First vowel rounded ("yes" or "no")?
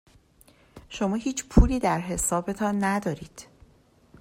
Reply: yes